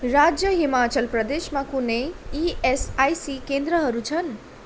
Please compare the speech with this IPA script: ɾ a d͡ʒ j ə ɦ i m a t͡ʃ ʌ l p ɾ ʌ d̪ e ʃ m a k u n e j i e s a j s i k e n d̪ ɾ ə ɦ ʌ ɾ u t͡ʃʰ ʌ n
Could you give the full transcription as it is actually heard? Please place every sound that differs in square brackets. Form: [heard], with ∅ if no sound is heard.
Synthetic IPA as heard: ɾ a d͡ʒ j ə ɦ i m a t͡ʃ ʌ l p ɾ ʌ d̪ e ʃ m a k u n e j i e s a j s i k e n d̪ ɾ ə ɦ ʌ ɾ u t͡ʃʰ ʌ n

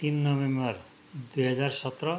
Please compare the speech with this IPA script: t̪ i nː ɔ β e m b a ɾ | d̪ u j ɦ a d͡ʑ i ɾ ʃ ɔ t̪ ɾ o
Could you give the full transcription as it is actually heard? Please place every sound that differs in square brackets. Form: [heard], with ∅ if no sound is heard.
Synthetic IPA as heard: t̪ i nː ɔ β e m b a ɾ | d̪ u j ɦ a d͡ʑ [a] ɾ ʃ ɔ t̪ ɾ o

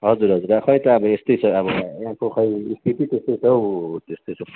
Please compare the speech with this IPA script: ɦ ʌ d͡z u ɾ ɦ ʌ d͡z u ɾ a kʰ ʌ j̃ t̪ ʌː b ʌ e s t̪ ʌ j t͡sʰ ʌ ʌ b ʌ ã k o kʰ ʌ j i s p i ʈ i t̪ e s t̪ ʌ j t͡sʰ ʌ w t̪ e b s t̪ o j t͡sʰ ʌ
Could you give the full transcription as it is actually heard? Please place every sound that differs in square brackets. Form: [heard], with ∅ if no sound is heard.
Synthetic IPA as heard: ɦ ʌ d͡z u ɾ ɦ ʌ d͡z u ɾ a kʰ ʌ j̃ t̪ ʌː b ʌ e s t̪ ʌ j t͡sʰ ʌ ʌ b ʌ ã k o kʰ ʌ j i s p i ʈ i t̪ e s t̪ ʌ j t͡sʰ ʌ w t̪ e [∅] s t̪ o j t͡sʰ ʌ

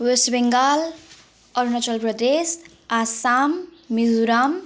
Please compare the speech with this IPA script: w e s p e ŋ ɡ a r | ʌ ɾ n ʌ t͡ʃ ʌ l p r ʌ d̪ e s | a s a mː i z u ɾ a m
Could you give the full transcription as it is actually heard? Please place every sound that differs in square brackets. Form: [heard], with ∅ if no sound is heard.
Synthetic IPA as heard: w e s [b] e ŋ ɡ a [l] | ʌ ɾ n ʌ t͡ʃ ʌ l p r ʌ d̪ e s | a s a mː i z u ɾ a m

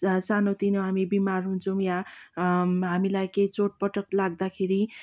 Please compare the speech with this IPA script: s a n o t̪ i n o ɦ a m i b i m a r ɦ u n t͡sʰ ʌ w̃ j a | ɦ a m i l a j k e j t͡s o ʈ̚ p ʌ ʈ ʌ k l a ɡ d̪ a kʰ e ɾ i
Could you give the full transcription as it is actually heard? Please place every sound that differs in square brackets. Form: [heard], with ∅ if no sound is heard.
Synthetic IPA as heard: s a n o t̪ i n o ɦ a m i b i m a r ɦ u n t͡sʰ ʌ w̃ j a | ɦ a m i l a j k e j t͡s o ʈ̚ p ʌ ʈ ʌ k l a ɡ d̪ a kʰ e ɾ i

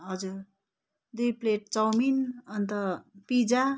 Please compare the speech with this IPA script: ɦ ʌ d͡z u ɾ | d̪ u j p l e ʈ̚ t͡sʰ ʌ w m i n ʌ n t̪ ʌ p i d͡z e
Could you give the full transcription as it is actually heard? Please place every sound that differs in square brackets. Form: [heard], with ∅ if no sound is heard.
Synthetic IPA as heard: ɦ ʌ d͡z u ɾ | d̪ u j p l e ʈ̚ [t͡s] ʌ w m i n ʌ n t̪ ʌ p i d͡z [a]

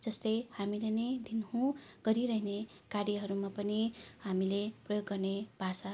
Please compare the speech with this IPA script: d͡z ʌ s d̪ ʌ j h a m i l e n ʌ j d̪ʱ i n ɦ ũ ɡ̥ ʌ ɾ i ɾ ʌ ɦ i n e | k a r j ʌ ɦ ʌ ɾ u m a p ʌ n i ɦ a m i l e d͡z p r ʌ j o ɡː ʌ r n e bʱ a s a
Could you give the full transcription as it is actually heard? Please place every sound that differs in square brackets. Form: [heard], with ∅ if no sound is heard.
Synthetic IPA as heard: d͡z ʌ s [t̪] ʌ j h a m i l e n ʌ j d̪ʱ i n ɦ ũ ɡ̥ ʌ ɾ i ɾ ʌ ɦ i n e | k a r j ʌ ɦ ʌ ɾ u m a p ʌ n i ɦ a m i l e [∅] p r ʌ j o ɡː ʌ r n e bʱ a s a

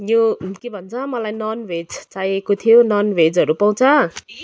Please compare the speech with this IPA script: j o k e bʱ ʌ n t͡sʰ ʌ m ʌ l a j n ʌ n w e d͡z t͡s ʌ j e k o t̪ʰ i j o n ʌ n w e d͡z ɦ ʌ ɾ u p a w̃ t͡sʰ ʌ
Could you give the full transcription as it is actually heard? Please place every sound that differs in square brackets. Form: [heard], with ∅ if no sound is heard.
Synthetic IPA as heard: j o k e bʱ ʌ n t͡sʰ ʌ m ʌ l a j n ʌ n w e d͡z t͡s [a] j e k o t̪ʰ i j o n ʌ n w e d͡z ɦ ʌ ɾ u p a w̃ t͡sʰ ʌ

